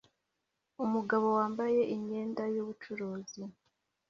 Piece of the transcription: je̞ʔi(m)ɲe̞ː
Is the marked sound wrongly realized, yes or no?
yes